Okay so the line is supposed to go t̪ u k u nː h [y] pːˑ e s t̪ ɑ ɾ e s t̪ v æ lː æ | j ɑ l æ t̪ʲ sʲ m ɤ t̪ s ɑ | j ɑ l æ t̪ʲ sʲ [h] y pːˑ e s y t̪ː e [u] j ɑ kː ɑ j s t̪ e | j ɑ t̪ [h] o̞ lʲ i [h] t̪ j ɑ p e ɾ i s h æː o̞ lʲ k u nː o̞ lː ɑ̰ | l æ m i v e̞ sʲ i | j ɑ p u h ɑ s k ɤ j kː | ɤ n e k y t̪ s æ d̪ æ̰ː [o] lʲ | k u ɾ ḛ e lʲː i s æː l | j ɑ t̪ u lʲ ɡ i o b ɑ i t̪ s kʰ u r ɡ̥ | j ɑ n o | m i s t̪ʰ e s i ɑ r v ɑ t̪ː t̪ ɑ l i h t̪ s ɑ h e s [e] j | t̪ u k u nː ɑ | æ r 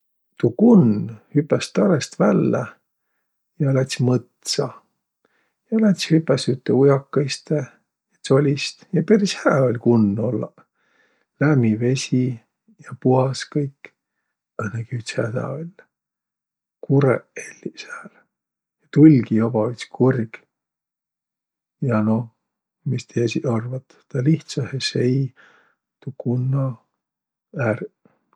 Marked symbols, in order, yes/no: yes, yes, yes, no, no, yes, yes

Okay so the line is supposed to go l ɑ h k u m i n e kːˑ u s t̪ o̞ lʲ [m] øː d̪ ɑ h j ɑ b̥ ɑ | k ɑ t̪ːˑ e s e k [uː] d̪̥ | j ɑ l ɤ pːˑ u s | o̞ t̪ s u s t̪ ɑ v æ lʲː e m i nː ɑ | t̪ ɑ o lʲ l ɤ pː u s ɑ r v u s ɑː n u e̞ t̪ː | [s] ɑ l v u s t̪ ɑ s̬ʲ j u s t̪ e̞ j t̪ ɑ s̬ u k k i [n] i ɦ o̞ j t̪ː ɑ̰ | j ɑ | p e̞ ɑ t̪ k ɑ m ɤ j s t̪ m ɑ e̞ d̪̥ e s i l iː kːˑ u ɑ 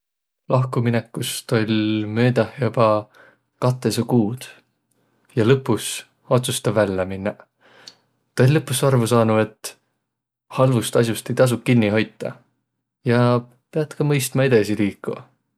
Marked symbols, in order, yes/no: yes, yes, no, no

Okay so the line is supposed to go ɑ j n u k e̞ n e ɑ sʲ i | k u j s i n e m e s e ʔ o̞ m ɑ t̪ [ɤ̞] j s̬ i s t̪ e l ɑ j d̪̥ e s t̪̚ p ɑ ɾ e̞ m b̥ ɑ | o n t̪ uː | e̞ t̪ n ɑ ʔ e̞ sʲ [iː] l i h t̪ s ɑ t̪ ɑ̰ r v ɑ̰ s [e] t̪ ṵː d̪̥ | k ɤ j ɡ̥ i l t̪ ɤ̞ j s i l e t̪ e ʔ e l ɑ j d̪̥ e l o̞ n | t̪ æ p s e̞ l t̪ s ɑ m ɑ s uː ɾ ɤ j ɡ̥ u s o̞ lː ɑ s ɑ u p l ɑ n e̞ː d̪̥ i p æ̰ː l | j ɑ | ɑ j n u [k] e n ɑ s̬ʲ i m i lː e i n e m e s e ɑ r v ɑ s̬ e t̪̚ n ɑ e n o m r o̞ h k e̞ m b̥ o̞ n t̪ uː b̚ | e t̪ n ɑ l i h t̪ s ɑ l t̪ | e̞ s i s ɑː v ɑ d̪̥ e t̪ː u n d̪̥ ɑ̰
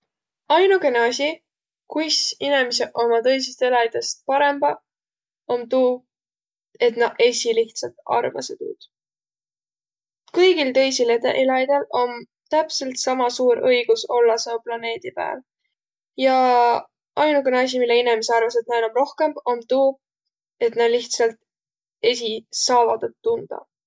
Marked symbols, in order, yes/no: yes, no, yes, yes

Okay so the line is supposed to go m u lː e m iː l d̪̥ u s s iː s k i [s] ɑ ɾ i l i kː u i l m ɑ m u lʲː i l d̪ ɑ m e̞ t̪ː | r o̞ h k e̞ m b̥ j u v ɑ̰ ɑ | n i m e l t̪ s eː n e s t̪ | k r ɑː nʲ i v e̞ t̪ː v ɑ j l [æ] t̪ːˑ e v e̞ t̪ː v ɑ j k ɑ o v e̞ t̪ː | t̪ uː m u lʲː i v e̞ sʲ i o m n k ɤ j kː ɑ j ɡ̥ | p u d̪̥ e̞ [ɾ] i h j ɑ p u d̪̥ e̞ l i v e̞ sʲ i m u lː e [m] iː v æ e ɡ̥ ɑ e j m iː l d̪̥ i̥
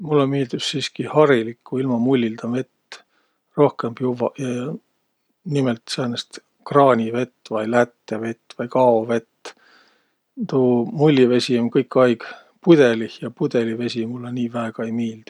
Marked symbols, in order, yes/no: no, yes, no, no

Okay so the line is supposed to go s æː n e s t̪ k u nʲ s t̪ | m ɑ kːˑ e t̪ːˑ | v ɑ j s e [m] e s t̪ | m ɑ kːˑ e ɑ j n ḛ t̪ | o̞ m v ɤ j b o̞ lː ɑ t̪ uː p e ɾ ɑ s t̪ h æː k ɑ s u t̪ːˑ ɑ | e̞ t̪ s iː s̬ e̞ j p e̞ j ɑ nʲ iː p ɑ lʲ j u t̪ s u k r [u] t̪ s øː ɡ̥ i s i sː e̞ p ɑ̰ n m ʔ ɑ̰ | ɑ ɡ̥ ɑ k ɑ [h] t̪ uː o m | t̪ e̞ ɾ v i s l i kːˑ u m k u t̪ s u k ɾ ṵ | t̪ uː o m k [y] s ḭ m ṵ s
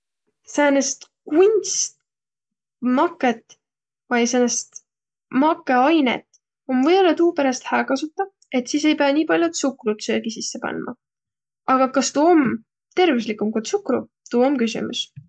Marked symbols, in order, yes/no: no, yes, no, yes

